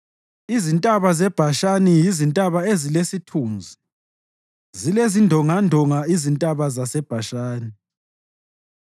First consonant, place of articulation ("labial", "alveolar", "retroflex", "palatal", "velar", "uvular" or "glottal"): alveolar